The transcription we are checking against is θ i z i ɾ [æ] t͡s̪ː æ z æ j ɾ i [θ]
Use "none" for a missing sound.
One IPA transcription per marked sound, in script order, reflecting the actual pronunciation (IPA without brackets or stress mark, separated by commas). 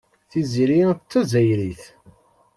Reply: i, θ